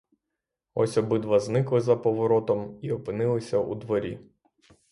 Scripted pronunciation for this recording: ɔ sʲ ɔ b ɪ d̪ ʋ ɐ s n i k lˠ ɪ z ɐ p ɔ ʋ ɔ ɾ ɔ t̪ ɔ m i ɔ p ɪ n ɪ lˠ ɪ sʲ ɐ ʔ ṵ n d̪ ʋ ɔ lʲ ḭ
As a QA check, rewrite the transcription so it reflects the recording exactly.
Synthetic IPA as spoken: ɔ sʲ ɔ b ɪ d̪ ʋ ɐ z n ɪ k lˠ ɪ z ɐ p ɔ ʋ ɔ ɾ ɔ t̪ ɔ m i ɔ p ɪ n ɪ lˠ ɪ sʲ ɐ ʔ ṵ d̪ ʋ ɔ ɾʲ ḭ